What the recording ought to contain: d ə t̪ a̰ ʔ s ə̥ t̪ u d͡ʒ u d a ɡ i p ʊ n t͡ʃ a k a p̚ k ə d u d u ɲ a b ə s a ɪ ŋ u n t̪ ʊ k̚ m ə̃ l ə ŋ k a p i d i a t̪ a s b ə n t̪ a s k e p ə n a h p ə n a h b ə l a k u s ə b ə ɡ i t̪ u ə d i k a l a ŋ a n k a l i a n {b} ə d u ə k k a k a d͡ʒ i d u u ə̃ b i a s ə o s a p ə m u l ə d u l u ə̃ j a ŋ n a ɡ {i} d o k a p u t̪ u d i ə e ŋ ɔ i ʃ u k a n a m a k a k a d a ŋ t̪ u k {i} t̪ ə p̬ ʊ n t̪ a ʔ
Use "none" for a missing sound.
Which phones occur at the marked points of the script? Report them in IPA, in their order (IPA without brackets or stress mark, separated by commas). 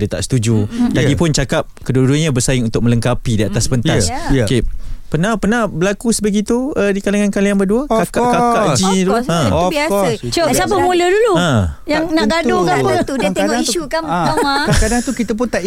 b, a, i